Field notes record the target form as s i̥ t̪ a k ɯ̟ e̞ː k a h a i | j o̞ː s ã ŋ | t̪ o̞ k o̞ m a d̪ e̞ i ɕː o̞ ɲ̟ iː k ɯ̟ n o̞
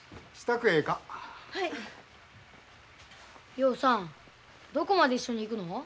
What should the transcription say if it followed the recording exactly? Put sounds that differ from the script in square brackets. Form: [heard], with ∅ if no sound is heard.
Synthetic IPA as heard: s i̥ t̪ a k ɯ̟ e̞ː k a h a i | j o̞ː s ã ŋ | [d̪] o̞ k o̞ m a d̪ e̞ i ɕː o̞ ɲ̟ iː k ɯ̟ n o̞